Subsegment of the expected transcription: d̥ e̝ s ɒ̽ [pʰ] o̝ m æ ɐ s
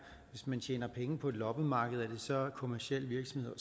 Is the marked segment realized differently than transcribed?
yes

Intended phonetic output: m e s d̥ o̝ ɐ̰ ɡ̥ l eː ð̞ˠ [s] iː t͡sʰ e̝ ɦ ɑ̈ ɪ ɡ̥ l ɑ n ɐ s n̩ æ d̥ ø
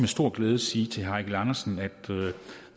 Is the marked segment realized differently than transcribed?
no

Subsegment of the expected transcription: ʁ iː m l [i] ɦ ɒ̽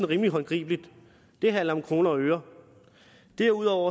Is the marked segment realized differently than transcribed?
no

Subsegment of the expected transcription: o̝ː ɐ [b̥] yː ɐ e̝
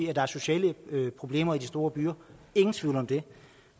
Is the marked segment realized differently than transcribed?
no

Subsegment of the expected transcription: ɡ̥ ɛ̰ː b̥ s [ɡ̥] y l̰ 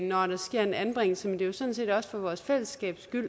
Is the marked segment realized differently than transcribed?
no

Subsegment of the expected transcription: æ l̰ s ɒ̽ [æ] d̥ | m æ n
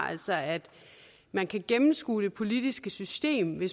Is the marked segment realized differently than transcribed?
no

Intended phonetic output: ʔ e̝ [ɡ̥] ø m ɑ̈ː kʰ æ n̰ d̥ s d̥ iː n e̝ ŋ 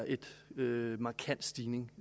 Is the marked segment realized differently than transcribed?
yes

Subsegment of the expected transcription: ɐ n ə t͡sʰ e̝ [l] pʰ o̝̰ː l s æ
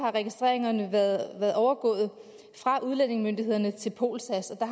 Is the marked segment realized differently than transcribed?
no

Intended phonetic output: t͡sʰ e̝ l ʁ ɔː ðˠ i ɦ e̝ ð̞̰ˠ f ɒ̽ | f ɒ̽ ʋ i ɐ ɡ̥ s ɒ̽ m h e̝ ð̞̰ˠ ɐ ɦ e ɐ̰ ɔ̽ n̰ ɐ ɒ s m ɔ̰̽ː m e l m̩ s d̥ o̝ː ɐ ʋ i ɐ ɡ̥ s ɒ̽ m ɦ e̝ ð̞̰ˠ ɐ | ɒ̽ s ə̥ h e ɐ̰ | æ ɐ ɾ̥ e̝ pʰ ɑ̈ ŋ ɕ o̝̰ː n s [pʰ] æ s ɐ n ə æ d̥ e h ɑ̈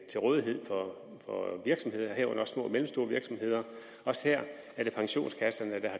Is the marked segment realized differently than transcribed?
yes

